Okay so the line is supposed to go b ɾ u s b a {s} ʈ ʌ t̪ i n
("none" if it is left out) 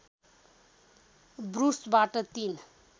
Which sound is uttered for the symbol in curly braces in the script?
none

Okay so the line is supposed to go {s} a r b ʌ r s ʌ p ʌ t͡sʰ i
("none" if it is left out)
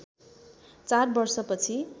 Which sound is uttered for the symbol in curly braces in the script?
t͡s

